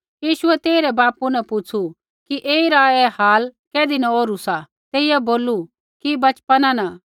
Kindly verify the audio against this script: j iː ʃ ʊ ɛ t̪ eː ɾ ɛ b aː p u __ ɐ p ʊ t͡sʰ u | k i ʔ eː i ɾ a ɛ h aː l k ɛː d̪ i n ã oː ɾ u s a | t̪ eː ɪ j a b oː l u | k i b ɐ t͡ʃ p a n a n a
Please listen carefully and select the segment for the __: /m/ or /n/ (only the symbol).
n